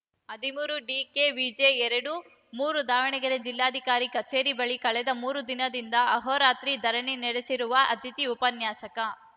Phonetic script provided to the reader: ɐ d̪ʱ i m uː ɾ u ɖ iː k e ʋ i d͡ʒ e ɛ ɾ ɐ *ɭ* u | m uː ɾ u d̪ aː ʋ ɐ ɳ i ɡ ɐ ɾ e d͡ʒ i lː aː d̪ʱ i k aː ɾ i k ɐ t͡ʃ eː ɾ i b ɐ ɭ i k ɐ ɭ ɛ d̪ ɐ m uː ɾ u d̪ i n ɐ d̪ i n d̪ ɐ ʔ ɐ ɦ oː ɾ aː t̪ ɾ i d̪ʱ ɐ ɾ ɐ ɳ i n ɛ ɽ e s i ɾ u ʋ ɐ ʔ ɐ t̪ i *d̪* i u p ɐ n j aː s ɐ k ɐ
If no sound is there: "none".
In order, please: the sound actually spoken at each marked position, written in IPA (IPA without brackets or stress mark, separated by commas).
ɽ, t̪